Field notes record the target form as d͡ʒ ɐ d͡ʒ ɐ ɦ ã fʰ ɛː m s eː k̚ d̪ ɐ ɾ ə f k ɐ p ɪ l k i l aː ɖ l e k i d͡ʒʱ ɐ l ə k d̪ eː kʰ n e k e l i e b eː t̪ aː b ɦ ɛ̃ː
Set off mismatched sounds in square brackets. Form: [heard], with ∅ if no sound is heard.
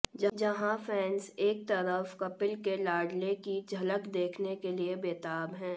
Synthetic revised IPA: d͡ʒ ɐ d͡ʒ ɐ ɦ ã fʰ ɛː [n] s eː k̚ [t̪] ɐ ɾ ə f k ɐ p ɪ l k [e] l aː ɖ l e k i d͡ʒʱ ɐ l ə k d̪ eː kʰ n e k e l i e b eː t̪ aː b ɦ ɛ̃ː